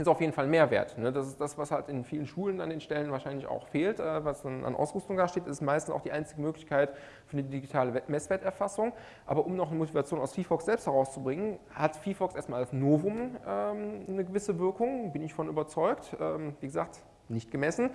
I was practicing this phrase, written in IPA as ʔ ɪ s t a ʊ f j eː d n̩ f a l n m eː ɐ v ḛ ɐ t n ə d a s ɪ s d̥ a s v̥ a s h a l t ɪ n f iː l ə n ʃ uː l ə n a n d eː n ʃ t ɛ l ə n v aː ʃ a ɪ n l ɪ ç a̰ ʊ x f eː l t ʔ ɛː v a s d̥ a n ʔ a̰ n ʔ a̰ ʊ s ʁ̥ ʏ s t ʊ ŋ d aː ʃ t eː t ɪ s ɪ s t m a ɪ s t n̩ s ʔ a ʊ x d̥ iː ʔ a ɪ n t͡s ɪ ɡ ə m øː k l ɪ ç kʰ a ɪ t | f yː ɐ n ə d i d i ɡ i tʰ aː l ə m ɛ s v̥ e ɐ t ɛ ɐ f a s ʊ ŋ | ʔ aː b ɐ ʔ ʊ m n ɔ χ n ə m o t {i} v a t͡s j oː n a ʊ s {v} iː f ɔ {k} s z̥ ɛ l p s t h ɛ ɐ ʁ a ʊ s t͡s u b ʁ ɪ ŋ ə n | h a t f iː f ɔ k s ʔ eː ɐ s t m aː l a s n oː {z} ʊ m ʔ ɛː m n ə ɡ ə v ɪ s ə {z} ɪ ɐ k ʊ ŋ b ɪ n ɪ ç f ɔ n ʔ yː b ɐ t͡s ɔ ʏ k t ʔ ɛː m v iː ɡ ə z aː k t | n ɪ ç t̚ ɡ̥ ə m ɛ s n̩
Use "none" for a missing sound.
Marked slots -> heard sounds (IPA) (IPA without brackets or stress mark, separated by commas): i, f, k, v, v